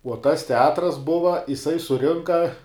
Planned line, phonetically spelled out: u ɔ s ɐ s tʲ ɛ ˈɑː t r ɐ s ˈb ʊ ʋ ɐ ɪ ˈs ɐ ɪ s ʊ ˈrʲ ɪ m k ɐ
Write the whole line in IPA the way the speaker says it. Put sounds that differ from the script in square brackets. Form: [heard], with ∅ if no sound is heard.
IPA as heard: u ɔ [t] ɐ s tʲ ɛ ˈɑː t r ɐ s ˈb ʊ ʋ ɐ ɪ ˈs ɐ ɪ s ʊ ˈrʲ ɪ [ŋ] k ɐ